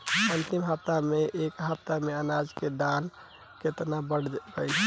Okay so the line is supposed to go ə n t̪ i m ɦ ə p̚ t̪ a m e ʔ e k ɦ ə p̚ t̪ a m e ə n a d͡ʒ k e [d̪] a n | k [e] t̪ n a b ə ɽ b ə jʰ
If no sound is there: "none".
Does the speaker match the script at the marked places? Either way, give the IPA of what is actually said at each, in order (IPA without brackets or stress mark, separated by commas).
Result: d̪, e